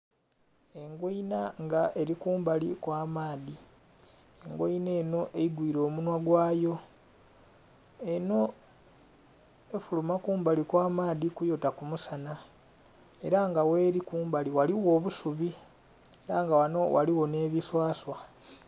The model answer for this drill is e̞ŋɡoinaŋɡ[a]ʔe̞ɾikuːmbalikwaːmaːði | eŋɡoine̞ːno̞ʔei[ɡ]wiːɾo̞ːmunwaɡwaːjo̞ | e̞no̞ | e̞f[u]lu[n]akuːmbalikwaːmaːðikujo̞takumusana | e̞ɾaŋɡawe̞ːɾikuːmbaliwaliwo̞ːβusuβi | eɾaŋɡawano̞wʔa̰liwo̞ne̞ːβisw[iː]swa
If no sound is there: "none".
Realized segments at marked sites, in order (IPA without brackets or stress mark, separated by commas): a, ɡ, u, m, aː